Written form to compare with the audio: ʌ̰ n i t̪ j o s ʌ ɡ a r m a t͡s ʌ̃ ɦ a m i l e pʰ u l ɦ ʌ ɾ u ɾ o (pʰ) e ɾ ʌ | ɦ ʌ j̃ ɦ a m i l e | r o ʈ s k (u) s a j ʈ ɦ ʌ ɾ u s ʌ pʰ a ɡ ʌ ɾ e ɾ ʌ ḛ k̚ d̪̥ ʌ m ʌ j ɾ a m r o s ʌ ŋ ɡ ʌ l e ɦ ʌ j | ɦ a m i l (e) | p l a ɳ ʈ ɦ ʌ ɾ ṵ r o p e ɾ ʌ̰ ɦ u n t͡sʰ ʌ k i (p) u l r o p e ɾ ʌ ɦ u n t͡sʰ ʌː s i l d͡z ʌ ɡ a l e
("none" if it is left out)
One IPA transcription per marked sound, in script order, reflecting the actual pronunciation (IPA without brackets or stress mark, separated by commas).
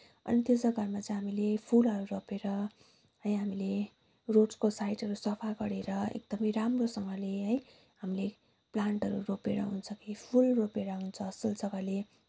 p, o, e, pʰ